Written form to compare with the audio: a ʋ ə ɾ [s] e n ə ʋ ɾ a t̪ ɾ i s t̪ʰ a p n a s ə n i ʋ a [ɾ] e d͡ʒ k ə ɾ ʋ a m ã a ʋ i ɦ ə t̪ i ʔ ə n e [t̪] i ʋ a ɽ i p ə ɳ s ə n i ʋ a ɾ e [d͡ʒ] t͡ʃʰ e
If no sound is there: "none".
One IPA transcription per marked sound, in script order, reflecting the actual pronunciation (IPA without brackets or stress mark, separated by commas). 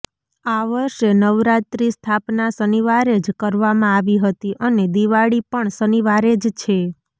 ʃ, ɾ, d̪, d͡ʒ